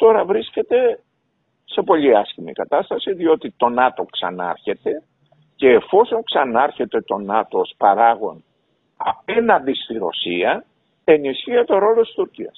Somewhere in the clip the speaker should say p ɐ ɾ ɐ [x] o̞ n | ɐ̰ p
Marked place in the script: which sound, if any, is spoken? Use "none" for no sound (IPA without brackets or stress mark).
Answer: ɣ